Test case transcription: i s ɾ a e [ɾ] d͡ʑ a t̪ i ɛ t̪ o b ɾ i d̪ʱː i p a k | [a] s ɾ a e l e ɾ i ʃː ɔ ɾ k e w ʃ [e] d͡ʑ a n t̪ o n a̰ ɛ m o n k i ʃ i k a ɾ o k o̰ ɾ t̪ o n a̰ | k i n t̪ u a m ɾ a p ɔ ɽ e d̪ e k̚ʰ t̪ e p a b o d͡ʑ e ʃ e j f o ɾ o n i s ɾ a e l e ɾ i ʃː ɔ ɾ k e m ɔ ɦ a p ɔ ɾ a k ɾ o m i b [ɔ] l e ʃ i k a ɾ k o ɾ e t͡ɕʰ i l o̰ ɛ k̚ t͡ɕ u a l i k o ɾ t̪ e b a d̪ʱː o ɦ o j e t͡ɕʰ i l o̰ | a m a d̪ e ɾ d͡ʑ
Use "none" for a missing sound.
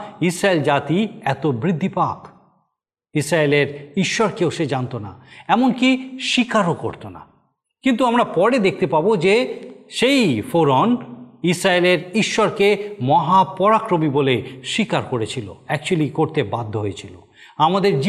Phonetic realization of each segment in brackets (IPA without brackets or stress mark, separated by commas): l, i, e, o